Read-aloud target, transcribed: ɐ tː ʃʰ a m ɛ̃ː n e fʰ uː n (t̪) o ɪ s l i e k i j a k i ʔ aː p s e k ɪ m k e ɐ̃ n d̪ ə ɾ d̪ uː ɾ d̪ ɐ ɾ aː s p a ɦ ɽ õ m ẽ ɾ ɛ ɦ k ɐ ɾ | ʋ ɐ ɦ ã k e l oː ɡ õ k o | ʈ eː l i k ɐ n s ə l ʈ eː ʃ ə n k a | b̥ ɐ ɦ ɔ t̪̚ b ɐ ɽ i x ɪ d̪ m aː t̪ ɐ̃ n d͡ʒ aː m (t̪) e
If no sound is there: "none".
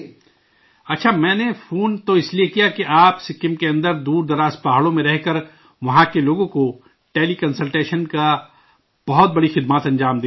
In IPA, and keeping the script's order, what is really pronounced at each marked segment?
t̪, d̪

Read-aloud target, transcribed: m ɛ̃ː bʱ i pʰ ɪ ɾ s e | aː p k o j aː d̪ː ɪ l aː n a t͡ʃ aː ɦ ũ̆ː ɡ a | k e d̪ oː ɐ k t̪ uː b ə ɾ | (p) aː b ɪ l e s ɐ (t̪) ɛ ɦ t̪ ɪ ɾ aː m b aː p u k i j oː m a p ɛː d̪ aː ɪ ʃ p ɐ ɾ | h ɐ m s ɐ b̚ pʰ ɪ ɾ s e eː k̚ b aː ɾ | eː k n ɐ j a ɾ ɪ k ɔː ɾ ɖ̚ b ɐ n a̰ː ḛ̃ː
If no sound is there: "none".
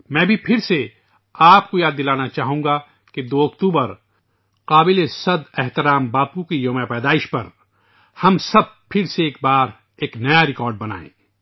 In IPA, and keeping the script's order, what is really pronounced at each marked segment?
q, d̪

